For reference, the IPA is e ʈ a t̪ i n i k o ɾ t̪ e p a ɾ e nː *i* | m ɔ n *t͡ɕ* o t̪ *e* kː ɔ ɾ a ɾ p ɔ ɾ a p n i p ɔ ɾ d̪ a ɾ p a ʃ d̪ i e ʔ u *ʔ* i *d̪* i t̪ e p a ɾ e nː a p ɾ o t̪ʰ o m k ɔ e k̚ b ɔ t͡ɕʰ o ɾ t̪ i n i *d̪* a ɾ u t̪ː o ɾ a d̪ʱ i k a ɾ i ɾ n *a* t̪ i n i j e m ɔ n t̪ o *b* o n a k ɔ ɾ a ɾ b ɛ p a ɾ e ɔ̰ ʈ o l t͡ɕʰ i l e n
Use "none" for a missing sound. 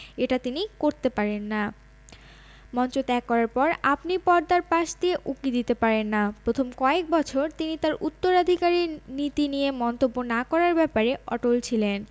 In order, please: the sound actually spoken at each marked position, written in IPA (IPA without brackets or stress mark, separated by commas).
a, t͡ɕ, ɛ, k, d̪, t̪, i, bː